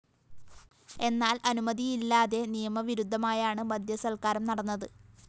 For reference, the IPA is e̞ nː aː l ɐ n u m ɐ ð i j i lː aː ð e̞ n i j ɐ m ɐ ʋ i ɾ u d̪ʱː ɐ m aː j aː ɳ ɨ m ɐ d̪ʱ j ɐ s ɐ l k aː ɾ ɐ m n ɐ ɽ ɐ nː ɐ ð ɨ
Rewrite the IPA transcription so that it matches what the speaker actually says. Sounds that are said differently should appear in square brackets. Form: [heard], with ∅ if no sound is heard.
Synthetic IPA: e̞ nː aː l ɐ n u m ɐ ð i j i lː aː ð e̞ n i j ɐ m ɐ ʋ i ɾ u d̪ʱː ɐ m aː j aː ɳ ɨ m ɐ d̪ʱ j ɐ s ɐ l k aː ɾ ɐ m n ɐ ɽ ɐ nː ɐ ð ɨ